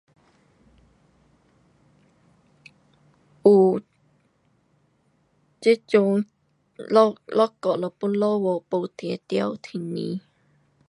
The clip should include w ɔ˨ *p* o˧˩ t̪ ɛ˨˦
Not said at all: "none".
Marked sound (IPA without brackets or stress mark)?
p